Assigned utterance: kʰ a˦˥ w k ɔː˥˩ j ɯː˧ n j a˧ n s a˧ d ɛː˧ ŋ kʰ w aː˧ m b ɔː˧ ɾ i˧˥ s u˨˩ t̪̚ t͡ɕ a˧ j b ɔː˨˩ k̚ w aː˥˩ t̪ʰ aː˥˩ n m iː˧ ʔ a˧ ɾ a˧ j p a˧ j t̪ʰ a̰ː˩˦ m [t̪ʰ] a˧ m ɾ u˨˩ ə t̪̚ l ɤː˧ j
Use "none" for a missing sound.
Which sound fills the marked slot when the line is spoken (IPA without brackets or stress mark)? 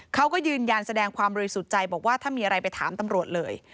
t̪